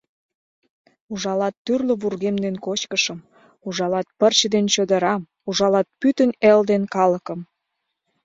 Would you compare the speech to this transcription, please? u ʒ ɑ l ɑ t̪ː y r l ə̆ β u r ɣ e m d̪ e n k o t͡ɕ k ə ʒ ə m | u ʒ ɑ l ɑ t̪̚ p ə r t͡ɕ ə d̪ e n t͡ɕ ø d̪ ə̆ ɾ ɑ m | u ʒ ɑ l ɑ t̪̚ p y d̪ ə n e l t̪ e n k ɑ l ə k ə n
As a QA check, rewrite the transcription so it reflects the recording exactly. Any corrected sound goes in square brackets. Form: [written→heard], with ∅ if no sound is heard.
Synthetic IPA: u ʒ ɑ l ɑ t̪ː y r l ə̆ β u r ɣ e m d̪ e n k o t͡ɕ k ə [ʒ→ʃ] ə m | u ʒ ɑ l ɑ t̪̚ p ə r t͡ɕ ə d̪ e n t͡ɕ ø d̪ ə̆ ɾ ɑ m | u ʒ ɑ l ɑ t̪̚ p y [d̪→t̪] ə n e l [t̪→d̪] e n k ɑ l ə k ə [n→m]